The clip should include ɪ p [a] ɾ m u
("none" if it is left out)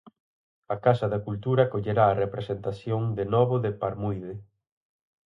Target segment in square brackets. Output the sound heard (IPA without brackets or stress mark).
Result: a